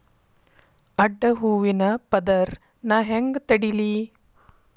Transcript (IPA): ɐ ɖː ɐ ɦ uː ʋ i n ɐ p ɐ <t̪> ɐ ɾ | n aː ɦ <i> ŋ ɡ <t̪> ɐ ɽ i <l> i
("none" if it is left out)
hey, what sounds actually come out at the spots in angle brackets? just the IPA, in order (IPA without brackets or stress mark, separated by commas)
d̪, e, t̪, l